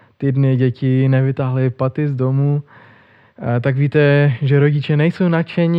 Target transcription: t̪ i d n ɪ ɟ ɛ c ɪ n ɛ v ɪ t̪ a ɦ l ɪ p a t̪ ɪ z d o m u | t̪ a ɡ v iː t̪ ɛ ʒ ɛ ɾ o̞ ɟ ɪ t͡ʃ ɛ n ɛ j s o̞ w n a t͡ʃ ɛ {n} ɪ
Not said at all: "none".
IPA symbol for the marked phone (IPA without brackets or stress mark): ɲ